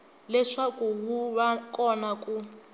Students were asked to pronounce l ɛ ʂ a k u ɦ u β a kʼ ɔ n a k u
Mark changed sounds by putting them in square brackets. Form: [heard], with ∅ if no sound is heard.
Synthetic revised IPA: l ɛ ʂ a k u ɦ u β a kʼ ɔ n a k u